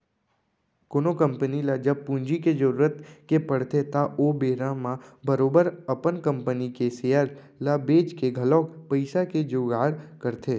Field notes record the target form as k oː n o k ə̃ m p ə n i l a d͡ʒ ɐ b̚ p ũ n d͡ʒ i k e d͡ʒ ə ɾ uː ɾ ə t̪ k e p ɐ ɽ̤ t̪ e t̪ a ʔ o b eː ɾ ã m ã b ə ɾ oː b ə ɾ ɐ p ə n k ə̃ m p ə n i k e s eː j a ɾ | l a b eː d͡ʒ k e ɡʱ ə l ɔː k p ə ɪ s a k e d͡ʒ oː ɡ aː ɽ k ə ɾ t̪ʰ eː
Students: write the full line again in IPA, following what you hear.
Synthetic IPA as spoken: k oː n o k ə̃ m p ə n i l a d͡ʒ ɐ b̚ p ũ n d͡ʒ i k e d͡ʒ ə ɾ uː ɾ ə t̪ k e p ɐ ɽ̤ t̪ e t̪ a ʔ o b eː ɾ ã m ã b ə ɾ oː b ə ɾ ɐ p ə n k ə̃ m p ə n i k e s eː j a ɾ | l a b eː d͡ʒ k e ɡʱ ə l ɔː k p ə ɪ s a k e d͡ʒ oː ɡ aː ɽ k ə ɾ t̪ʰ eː